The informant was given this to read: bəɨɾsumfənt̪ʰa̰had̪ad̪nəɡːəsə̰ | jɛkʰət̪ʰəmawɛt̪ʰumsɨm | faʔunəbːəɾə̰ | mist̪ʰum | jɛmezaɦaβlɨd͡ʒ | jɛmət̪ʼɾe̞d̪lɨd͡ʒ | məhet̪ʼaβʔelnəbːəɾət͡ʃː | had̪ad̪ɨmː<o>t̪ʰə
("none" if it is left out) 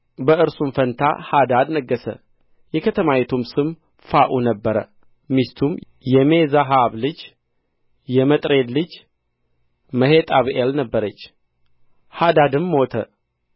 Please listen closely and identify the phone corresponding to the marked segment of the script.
o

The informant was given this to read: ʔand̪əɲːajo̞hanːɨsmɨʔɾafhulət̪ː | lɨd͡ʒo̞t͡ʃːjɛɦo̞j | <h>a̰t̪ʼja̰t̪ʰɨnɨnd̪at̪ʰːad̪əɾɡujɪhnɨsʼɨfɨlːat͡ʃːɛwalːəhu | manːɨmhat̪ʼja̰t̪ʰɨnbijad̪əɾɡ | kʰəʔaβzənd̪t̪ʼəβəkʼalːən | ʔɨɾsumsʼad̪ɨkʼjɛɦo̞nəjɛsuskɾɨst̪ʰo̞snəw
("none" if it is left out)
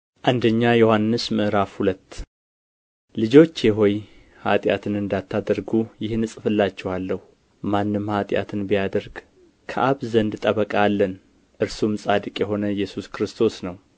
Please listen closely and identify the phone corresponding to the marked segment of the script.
h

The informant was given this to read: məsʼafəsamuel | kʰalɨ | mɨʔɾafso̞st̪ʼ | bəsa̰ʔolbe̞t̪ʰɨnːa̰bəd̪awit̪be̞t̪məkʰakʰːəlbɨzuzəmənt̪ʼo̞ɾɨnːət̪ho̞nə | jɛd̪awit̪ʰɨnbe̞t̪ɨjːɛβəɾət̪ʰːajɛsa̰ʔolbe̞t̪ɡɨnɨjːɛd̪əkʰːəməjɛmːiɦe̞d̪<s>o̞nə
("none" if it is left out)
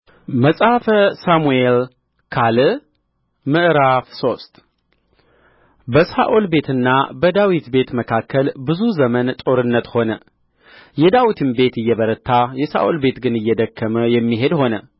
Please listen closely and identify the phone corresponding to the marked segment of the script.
h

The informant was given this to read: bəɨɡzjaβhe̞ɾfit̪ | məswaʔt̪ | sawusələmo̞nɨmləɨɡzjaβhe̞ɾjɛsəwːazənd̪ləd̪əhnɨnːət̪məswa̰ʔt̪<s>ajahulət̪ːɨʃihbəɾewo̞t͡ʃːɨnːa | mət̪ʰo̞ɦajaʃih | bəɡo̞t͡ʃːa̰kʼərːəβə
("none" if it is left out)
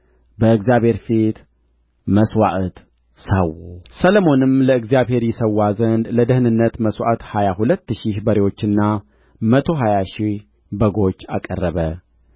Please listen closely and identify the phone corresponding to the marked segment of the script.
h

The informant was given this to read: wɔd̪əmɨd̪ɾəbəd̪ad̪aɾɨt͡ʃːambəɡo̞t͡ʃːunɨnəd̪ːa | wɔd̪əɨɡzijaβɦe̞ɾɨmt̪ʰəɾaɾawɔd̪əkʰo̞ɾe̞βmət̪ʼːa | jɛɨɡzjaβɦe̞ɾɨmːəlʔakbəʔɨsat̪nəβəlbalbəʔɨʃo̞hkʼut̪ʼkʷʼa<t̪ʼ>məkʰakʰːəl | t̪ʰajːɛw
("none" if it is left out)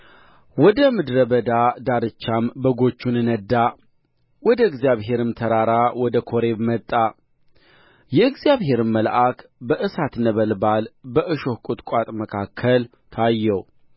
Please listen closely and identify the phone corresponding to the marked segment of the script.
t̪ʼ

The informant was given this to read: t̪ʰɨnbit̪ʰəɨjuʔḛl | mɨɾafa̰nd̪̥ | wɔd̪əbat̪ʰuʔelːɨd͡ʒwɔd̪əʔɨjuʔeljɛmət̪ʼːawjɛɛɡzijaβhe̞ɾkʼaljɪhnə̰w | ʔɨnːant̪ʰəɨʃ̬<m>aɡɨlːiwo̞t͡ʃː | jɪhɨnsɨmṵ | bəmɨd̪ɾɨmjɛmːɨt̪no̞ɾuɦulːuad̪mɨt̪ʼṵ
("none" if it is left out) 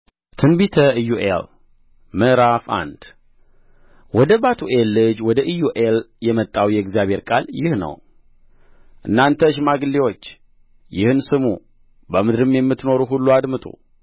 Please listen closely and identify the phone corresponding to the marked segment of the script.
m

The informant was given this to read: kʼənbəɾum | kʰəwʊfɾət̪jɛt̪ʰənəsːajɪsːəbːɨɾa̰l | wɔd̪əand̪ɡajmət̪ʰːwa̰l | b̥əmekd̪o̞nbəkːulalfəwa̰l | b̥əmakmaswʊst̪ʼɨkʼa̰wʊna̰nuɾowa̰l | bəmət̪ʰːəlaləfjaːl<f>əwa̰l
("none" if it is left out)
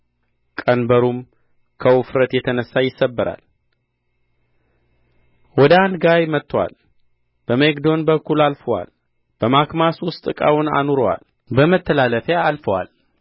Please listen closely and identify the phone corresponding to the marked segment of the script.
f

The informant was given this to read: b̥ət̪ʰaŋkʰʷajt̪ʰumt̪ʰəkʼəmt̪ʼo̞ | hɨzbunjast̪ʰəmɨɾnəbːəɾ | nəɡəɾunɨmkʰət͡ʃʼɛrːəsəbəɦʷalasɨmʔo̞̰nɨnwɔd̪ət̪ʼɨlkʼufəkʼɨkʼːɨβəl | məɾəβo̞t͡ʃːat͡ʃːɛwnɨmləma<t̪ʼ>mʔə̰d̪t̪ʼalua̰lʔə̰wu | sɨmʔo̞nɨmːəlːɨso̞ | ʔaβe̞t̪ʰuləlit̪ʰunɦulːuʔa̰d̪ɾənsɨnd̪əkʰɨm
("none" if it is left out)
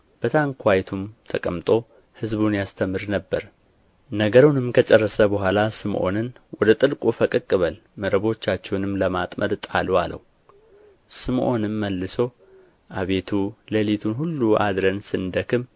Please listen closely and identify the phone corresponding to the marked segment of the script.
t̪ʼ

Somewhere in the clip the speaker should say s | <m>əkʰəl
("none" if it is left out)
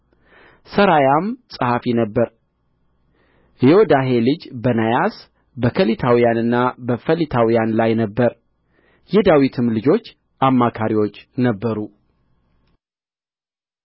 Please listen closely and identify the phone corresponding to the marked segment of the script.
b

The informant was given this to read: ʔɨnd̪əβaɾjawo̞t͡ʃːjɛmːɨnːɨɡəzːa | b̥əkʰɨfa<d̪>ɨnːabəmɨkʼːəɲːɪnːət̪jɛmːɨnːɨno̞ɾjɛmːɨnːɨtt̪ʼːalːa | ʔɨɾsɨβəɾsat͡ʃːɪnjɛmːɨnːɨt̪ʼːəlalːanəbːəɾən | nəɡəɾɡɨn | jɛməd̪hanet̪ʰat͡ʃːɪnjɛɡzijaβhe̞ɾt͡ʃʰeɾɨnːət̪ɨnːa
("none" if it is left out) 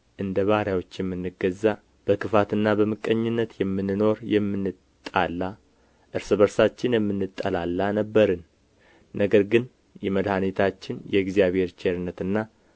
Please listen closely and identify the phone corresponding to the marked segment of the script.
t̪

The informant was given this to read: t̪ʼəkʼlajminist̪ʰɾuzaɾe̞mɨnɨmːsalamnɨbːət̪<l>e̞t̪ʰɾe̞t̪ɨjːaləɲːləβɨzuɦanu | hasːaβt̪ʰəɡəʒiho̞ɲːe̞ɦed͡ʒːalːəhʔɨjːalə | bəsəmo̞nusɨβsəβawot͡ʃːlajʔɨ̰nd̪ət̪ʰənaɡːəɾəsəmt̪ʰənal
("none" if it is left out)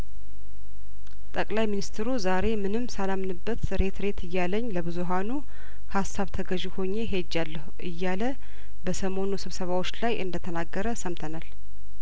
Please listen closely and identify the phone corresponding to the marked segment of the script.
ɾ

